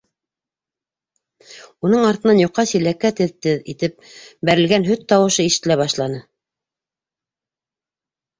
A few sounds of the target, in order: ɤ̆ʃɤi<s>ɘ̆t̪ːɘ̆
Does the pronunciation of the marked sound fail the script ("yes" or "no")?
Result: yes